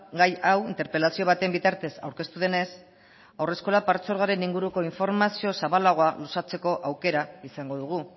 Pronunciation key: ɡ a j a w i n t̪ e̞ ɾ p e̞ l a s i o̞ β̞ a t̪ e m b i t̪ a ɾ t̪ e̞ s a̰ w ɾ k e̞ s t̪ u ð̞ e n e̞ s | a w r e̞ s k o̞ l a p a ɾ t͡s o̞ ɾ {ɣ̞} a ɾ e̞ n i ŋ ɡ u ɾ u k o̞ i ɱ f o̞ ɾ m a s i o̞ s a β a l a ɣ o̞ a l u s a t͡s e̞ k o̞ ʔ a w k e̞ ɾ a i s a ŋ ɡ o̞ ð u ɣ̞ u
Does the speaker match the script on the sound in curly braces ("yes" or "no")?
yes